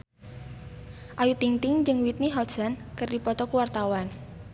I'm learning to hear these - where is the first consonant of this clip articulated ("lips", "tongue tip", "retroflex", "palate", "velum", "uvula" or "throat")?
throat